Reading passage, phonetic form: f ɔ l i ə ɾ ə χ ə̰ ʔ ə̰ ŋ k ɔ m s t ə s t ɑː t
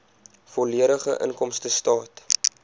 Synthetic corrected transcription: f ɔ l i ə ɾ ə χ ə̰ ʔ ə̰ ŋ k ɔ m s t ə s t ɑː t